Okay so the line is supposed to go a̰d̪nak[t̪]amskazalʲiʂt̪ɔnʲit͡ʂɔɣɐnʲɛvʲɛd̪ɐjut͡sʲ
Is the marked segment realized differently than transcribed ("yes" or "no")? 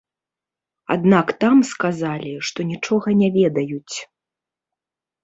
no